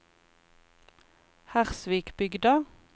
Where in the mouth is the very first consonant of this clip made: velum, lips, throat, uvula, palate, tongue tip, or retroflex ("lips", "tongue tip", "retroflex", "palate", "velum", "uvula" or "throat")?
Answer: throat